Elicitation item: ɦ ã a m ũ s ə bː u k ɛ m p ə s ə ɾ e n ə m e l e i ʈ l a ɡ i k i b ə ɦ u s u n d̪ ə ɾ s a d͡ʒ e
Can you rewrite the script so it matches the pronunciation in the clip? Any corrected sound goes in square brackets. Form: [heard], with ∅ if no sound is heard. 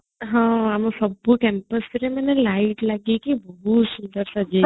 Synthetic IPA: ɦ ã a m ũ s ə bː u k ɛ m p ə s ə ɾ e [m] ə [n] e l [a] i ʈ l a ɡ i k i b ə ɦ u s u n d̪ ə ɾ s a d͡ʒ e